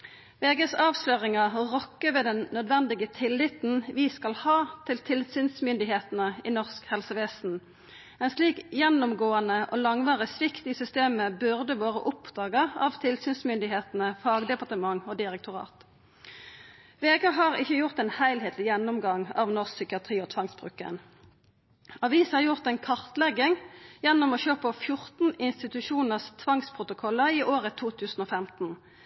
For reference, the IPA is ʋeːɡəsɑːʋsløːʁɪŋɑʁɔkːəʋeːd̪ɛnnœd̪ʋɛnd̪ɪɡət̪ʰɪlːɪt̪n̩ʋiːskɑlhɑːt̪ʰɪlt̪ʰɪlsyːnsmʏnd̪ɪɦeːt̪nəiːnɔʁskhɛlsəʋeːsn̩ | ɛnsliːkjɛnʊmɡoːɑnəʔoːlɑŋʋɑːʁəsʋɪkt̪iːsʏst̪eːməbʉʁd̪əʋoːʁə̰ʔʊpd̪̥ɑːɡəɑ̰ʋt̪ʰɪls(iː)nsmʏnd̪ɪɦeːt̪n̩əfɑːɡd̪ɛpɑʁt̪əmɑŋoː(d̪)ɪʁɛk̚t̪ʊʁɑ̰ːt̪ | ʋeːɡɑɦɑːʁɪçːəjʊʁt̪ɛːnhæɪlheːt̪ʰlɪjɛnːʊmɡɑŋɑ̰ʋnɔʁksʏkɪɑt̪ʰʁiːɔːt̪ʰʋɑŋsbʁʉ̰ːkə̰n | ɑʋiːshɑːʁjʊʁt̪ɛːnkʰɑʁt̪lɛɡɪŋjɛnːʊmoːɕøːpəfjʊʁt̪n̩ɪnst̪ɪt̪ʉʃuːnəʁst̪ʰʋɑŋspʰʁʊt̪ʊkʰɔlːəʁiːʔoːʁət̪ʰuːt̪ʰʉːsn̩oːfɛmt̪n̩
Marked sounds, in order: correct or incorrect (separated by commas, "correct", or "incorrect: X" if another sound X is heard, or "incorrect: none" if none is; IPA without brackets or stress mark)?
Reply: incorrect: yː, correct